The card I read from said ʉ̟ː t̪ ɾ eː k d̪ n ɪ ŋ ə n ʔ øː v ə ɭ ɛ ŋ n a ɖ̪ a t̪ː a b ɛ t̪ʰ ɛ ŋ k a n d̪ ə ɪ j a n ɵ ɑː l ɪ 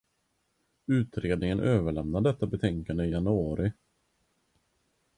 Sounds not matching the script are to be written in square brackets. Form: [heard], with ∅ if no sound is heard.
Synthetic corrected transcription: ʉ̟ː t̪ ɾ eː [∅] d̪ n ɪ ŋ ə n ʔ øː v ə ɭ ɛ [m] n a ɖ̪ [ɛ] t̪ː a b ɛ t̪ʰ ɛ ŋ k a n d̪ ə ɪ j a n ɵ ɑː [ɾ] ɪ